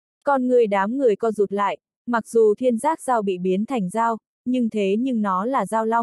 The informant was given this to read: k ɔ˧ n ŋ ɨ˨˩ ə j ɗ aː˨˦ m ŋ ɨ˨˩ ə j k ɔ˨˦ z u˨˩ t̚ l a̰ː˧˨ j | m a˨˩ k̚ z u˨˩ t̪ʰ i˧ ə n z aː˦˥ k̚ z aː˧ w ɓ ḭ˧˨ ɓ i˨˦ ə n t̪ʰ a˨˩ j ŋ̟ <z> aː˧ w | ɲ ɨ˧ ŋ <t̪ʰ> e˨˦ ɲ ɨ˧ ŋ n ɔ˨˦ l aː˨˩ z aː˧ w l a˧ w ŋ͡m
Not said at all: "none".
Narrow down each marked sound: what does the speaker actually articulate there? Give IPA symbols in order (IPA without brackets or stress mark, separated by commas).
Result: z, t̪ʰ